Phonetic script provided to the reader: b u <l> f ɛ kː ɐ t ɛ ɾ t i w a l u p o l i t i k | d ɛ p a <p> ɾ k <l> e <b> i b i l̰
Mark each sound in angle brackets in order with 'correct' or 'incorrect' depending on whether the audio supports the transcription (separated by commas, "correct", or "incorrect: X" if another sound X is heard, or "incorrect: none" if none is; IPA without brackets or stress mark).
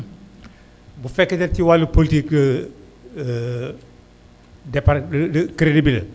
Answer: incorrect: none, incorrect: none, incorrect: ɾ, incorrect: d